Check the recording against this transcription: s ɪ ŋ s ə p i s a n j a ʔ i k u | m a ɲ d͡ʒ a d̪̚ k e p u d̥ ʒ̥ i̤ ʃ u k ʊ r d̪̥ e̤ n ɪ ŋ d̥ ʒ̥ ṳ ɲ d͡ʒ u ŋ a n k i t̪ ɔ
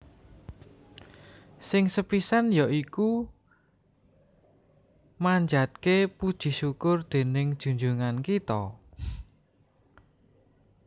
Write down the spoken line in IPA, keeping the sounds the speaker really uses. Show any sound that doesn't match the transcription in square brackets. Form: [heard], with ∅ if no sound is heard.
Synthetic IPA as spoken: s ɪ ŋ s ə p i s a n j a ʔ i k u | m a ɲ d͡ʒ a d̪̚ k e p u d̥ ʒ̥ i̤ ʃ u k ʊ r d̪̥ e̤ n ɪ ŋ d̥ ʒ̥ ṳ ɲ d͡ʒ u ŋ a n k i t̪ ɔ

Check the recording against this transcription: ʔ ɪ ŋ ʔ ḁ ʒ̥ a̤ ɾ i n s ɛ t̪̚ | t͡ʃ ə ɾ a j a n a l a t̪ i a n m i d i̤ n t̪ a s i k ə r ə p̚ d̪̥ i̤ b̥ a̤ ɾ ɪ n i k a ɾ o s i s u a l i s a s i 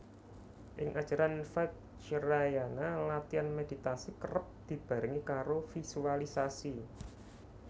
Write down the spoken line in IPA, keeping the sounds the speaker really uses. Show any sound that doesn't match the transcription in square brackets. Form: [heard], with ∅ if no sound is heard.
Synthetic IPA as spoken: ʔ ɪ ŋ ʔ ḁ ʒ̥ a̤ ɾ [a] n [f] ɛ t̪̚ | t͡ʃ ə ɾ a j a n a l a t̪ i a n m [e] d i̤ [∅] t̪ a s i k ə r ə p̚ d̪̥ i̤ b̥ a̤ ɾ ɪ [ŋ] i k a ɾ o [f] i s u a l i s a s i

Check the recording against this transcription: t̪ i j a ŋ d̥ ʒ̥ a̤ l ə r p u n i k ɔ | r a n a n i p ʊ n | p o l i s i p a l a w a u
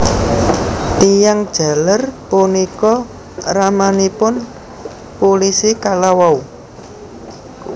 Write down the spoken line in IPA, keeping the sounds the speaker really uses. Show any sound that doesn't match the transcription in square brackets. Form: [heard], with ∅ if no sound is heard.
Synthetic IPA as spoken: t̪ i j a ŋ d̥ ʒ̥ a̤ l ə r p u n i k ɔ | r a [m] a n i p ʊ n | p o l i s i [k] a l a w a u

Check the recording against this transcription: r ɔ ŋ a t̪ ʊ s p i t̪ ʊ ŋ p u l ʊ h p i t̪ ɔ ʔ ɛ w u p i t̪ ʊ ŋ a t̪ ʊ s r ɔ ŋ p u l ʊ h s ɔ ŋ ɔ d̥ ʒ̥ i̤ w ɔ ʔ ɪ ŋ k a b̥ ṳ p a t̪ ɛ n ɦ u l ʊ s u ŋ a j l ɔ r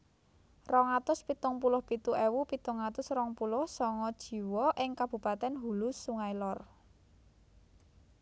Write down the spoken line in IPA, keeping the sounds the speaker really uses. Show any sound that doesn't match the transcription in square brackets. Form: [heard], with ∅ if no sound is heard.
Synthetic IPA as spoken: r ɔ ŋ a t̪ ʊ s p i t̪ ʊ ŋ p u l ʊ h p i t̪ [u] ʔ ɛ w u p i t̪ ʊ ŋ a t̪ ʊ s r ɔ ŋ p u l ʊ h s ɔ ŋ ɔ d̥ ʒ̥ i̤ w ɔ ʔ ɪ ŋ k a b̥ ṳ p a t̪ ɛ n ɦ u l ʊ s u ŋ a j l ɔ r

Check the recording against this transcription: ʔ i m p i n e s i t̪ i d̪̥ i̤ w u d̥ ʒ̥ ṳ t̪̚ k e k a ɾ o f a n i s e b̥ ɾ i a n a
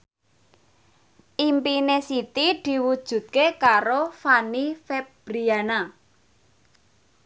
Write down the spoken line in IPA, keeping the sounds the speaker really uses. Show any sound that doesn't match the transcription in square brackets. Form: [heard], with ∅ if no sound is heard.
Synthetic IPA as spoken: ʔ i m p i n e s i t̪ i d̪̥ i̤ w u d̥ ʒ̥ ṳ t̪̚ k e k a ɾ o f a n i [f] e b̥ ɾ i a n a

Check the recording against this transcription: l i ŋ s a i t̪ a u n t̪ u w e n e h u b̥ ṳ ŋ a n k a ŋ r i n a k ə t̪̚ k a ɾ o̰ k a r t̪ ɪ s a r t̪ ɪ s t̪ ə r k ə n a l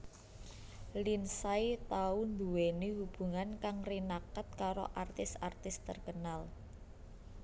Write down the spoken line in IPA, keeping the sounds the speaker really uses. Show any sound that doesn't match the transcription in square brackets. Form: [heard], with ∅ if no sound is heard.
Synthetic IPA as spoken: l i [n] s a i t̪ a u n [d̪] u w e n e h u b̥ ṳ ŋ a n k a ŋ r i n a k ə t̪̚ k a ɾ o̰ [ʔ] a r t̪ ɪ s a r t̪ ɪ s t̪ ə r k ə n a l

